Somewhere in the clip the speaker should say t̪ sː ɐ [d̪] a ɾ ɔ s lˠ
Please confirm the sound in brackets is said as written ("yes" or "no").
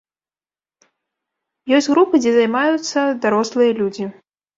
yes